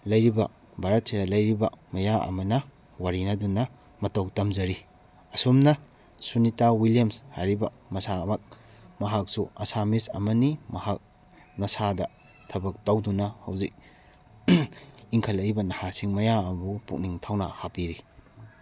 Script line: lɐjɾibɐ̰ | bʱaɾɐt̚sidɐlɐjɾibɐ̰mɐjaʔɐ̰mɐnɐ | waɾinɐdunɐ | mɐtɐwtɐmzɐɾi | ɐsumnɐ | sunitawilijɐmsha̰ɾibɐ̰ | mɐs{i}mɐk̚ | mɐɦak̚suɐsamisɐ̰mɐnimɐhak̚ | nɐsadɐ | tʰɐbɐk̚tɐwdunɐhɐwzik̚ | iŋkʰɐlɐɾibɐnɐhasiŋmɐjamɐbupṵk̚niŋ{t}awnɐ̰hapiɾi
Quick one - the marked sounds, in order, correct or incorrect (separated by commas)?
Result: incorrect, incorrect